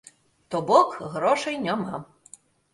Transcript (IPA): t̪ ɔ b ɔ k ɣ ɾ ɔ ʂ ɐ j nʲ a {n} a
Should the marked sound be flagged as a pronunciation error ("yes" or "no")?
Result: yes